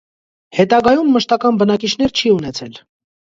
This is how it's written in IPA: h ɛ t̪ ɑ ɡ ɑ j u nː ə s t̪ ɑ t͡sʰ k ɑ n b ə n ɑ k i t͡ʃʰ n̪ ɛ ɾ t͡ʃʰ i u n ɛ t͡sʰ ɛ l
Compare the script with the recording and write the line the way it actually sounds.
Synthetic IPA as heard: h ɛ t̪ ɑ ɡ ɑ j u mː ə ʃ t̪ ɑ k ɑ n b ə n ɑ k i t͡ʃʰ n̪ ɛ ɾ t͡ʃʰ i u n ɛ t͡sʰ ɛ l

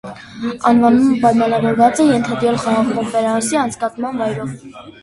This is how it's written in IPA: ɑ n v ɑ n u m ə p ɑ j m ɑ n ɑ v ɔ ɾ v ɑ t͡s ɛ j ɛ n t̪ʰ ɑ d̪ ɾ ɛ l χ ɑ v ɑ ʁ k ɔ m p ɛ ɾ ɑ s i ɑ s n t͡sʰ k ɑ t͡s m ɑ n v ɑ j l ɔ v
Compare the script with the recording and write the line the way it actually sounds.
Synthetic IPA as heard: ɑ n v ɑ n u m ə p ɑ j m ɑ n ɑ v ɔ ɾ v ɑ t͡s ɛ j ɛ n t̪ʰ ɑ d̪ ɾ ɛ l χ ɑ ʁ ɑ ʁ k ɔ m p ɛ ɾ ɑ s i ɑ n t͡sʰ k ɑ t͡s m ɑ n v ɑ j ɾ ɔ v

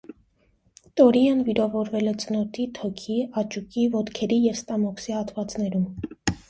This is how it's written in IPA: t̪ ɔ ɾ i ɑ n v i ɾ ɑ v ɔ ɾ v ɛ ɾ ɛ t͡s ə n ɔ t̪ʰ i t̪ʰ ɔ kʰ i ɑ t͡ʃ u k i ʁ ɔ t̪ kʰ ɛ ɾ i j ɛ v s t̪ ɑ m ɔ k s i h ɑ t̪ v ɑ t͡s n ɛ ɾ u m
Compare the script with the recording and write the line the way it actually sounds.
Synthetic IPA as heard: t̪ ɔ ɾ i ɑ n v i ɾ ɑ v ɔ ɾ v ɛ l ɛ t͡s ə n ɔ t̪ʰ i t̪ʰ ɔ kʰ i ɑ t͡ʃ u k i v ɔ t̪ kʰ ɛ ɾ i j ɛ v s t̪ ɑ m ɔ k s i h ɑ t̪ v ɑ t͡s n ɛ ɾ u m

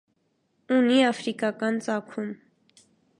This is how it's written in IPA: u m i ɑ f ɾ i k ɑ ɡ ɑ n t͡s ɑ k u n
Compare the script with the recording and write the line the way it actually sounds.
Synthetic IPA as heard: u n i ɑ f ɾ i k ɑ k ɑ n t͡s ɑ kʰ u m

